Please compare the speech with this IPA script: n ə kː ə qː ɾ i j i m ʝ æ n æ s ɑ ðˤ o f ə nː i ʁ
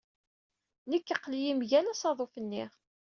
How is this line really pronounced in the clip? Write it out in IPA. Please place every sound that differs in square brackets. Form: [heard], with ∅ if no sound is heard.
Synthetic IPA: n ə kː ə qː [l] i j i m ʝ æ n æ s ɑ ðˤ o f ə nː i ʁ